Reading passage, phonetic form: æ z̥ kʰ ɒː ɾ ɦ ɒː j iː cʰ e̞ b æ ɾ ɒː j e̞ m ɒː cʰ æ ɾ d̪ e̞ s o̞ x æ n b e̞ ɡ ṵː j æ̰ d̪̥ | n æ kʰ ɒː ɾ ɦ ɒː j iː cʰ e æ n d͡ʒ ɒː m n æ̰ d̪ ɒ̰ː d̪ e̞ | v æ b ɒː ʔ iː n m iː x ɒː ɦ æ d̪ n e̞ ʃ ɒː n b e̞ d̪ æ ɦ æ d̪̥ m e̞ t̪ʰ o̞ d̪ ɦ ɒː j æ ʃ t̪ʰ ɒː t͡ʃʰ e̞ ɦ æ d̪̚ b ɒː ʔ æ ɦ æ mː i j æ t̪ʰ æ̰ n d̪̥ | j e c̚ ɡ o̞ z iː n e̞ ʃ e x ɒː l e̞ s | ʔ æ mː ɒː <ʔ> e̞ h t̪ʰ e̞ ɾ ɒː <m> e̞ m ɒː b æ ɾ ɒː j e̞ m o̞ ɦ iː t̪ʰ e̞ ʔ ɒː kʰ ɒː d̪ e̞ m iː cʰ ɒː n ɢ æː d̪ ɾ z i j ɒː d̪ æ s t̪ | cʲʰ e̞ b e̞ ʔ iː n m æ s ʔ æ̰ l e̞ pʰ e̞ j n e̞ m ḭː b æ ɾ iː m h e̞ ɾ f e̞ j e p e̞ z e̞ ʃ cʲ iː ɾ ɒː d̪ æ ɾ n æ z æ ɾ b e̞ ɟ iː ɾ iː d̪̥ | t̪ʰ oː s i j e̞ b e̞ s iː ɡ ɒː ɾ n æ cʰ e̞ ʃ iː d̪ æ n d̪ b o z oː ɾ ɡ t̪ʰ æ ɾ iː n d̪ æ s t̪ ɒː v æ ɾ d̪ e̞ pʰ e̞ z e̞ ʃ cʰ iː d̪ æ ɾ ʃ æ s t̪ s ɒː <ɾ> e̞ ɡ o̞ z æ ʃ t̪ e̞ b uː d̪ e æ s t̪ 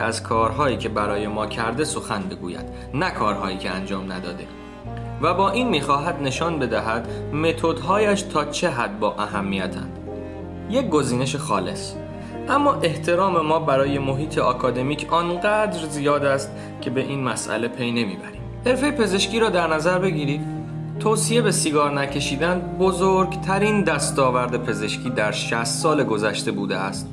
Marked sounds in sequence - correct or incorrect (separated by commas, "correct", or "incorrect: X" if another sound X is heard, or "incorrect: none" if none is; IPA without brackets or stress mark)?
correct, correct, incorrect: l